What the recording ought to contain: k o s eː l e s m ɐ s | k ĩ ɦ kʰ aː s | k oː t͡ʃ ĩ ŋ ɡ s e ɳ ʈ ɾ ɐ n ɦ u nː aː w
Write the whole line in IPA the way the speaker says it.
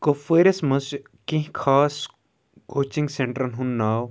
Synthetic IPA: k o f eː ɾ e s m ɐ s | k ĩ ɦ kʰ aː s | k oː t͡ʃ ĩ ŋ ɡ s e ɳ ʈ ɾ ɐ n ɦ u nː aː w